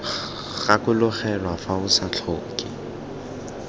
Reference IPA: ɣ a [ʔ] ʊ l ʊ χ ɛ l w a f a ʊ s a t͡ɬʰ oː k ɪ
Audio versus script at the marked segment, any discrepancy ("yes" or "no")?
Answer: yes